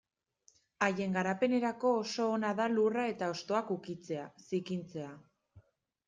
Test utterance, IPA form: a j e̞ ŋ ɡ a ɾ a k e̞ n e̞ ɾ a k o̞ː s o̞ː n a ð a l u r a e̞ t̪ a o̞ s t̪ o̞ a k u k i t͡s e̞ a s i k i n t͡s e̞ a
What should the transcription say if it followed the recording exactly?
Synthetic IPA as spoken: a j e̞ ŋ ɡ a ɾ a p e̞ n e̞ ɾ a k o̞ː s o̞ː n a ð a l u r a e̞ t̪ a o̞ s t̪ o̞ a k u k i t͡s e̞ a s i k i n t͡s e̞ a